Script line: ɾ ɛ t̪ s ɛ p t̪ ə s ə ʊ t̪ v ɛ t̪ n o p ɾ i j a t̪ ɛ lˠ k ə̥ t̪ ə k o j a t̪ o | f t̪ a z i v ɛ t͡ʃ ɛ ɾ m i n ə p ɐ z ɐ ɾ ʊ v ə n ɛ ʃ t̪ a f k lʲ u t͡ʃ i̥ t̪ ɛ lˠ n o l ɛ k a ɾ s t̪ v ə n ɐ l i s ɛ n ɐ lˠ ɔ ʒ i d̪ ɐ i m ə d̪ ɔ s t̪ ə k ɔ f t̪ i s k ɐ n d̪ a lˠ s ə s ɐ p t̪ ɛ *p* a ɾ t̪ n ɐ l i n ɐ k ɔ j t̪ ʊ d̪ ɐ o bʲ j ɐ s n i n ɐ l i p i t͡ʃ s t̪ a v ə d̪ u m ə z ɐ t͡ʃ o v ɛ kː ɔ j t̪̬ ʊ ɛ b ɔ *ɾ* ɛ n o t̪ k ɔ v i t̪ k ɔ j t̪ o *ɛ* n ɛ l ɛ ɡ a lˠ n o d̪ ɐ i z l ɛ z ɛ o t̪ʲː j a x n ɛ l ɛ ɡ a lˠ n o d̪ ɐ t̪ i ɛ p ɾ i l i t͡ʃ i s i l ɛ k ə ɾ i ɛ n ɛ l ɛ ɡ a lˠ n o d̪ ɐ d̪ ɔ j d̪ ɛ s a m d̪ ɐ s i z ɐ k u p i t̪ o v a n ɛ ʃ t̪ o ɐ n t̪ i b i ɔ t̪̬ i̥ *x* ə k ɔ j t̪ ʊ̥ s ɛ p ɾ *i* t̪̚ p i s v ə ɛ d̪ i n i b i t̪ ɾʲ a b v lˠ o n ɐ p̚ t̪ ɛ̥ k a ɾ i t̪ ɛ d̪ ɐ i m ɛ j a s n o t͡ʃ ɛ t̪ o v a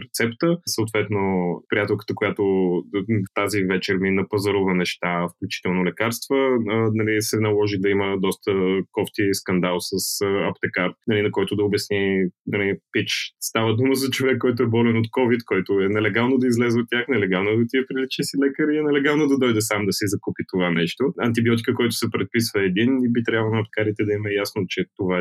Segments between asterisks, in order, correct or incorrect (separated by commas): incorrect, incorrect, correct, incorrect, incorrect